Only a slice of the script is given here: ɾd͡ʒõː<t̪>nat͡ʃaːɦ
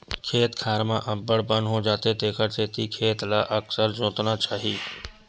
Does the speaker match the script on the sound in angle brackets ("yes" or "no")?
yes